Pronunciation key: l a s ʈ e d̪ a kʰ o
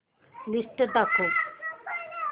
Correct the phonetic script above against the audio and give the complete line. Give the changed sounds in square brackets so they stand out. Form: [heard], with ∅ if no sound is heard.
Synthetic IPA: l [i] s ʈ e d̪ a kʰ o